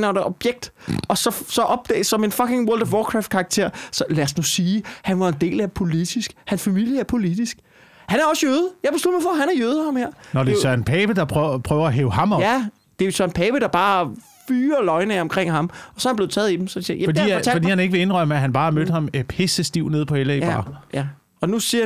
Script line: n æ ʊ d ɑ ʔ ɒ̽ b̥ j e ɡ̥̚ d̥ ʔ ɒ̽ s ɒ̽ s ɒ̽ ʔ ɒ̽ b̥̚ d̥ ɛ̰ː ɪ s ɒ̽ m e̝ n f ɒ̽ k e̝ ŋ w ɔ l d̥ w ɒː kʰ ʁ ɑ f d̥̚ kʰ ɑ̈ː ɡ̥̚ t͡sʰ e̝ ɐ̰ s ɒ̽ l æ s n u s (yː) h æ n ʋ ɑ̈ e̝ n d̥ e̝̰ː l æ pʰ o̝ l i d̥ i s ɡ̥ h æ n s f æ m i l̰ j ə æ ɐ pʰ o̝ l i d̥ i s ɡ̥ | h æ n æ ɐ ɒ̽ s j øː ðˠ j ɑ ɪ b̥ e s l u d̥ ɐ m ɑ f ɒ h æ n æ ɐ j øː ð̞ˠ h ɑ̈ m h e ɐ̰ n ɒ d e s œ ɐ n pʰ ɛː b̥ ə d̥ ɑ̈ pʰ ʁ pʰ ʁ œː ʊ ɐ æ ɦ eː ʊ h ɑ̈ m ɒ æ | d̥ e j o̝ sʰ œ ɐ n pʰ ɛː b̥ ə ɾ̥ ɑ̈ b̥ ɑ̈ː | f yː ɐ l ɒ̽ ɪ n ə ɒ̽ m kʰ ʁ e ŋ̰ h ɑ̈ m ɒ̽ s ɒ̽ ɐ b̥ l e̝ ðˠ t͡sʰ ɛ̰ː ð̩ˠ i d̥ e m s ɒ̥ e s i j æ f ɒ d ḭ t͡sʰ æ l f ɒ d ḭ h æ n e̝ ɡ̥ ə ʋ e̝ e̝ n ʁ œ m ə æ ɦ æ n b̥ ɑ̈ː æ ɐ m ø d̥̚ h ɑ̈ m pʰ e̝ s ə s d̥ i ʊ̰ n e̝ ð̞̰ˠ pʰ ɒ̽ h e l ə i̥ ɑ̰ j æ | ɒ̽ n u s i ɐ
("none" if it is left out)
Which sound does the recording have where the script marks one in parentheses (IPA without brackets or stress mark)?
iː